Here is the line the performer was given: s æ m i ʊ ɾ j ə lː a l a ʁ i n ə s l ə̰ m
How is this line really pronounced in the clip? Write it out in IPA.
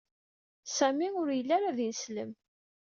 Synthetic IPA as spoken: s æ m i ʊ ɾ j ə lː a ɾ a ð i n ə s l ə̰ m